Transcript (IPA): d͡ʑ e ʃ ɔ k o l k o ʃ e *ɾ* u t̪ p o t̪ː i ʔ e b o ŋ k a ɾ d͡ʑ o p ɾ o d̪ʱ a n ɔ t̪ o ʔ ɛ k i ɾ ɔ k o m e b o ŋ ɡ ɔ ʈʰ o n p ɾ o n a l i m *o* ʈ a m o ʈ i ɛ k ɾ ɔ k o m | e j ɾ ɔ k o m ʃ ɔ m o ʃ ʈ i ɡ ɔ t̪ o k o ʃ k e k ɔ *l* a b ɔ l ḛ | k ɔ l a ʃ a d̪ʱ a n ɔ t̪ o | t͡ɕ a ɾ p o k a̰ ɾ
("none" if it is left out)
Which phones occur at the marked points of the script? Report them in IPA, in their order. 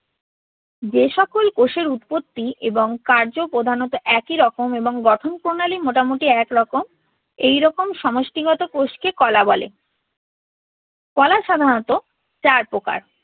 ɾ, o, l

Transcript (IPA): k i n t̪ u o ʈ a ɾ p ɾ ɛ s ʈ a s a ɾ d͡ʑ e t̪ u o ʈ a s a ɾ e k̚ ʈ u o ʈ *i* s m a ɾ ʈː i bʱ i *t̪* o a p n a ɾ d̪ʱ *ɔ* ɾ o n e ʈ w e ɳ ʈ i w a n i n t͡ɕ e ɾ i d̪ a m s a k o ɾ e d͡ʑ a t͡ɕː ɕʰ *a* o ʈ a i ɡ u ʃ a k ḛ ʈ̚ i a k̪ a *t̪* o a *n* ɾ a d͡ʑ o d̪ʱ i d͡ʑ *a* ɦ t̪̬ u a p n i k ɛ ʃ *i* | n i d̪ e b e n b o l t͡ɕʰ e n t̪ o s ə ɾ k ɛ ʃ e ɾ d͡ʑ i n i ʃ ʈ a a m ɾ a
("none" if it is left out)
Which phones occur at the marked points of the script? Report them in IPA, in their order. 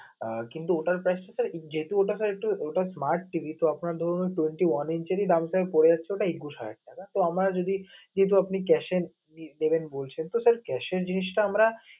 a, t̪, ɔ, e, t̪, m, e, e

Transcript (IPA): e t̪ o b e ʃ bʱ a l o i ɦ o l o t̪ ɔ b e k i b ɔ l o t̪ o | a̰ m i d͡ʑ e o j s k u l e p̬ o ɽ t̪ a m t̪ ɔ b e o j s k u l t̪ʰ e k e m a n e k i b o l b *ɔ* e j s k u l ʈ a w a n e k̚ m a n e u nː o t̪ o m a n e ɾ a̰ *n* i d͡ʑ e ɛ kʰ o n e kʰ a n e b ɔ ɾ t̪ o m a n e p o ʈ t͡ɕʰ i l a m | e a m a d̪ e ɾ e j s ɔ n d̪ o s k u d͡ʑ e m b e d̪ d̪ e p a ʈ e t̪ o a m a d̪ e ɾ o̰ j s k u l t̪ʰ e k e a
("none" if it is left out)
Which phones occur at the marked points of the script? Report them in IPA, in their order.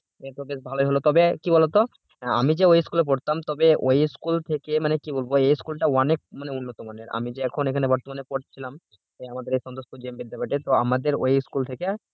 o, m

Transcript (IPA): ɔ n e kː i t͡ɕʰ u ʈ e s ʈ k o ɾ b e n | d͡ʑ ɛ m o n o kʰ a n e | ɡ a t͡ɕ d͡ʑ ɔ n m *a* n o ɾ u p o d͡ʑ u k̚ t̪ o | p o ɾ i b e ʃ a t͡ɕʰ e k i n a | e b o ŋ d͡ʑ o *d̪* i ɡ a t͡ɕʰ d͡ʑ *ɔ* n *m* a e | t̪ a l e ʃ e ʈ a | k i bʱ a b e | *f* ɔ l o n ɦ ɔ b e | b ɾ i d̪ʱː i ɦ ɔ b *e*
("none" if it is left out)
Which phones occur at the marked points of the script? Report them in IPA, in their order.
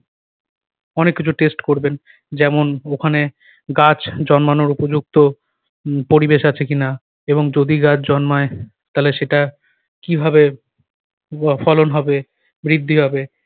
a, d̪, ɔ, m, f, e

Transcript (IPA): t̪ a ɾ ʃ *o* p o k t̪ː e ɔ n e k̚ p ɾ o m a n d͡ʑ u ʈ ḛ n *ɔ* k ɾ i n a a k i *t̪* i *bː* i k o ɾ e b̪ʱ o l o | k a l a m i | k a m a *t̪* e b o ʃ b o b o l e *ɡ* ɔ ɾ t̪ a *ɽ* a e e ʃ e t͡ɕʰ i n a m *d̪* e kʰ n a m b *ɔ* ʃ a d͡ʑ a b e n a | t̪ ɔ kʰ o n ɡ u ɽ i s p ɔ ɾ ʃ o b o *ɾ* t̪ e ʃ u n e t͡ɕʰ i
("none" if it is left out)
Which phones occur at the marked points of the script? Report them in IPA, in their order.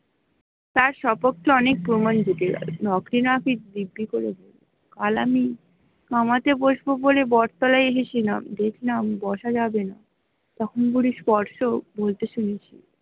ɔ, ɔ, d̪, bː, t̪, b, l, d̪, ɔ, l

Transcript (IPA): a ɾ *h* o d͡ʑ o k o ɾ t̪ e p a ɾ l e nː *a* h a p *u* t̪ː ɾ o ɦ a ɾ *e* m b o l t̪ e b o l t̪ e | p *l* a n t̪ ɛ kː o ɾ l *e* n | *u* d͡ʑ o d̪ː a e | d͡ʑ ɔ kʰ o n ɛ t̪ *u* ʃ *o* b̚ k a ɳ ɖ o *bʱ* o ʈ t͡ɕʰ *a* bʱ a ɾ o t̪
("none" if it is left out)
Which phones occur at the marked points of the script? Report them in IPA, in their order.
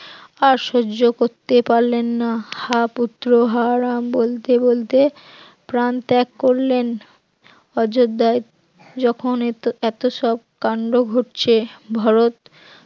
ʃ, a, u, a, ɾ, e, ɔ, o, ɔ, ɡʱ, e

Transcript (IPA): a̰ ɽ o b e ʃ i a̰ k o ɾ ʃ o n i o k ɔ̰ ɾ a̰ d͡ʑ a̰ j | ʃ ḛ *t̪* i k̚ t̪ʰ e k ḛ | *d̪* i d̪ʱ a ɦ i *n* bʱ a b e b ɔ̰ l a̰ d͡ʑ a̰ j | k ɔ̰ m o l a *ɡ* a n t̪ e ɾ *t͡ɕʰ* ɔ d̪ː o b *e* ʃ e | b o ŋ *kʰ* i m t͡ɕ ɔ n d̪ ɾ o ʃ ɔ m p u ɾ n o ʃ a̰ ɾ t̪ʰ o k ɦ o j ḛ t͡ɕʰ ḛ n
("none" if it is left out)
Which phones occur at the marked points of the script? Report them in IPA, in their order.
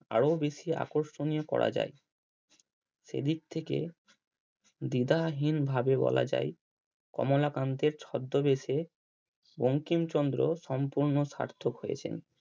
d̪, d̪, n, k, t͡ɕʰ, e, k

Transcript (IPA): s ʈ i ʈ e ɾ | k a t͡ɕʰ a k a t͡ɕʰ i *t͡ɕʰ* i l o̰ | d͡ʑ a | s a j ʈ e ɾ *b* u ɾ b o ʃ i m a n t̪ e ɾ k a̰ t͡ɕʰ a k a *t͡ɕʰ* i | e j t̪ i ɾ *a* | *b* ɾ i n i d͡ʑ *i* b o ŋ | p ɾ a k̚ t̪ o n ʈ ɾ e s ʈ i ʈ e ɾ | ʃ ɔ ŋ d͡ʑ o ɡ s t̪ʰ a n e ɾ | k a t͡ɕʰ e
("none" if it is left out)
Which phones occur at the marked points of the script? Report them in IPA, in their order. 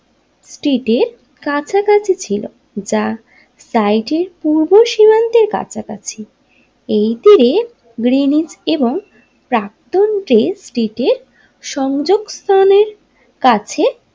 t͡ɕʰ, p, t͡ɕʰ, e, ɡ, e

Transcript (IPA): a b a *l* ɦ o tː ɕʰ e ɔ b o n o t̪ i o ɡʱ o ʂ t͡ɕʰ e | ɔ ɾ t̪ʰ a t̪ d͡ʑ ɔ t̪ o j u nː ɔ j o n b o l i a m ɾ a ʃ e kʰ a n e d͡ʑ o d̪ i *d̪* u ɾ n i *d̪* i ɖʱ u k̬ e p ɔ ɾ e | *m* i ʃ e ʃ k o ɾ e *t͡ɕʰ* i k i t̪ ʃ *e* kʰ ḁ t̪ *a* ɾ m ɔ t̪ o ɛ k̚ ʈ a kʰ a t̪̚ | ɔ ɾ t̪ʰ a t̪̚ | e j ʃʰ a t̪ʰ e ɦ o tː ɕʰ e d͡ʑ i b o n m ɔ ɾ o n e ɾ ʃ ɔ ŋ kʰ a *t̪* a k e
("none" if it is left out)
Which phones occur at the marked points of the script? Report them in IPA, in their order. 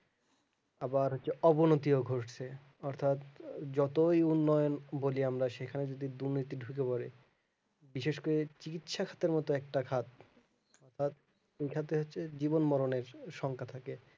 ɾ, d̪, t̪, b, t͡ɕ, a, e, t̪ʰ

